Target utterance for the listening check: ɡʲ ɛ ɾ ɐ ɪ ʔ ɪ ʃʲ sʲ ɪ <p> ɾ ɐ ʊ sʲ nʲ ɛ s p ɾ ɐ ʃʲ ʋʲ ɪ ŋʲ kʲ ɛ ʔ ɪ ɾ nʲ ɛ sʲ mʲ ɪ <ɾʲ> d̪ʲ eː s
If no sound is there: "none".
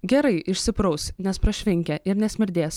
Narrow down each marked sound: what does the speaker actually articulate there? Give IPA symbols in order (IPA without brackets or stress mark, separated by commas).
p, ɾʲ